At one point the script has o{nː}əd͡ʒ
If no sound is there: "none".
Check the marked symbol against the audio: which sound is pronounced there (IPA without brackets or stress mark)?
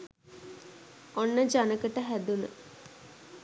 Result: nː